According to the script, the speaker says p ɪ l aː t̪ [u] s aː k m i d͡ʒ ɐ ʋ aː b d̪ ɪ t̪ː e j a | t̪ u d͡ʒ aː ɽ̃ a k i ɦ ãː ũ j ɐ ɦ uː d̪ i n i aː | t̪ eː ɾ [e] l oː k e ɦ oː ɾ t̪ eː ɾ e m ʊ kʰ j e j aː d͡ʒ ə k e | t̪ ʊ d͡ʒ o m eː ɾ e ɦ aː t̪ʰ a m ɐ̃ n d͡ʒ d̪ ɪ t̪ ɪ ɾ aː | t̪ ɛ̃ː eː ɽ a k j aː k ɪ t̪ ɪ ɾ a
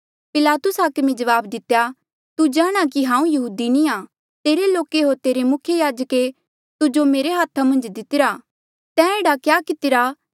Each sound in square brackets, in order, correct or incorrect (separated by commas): incorrect, correct